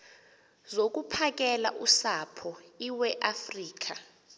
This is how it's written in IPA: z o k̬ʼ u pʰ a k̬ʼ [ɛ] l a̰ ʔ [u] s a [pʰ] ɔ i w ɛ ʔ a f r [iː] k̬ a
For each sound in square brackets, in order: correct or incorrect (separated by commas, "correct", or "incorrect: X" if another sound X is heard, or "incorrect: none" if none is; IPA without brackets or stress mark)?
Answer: correct, correct, correct, correct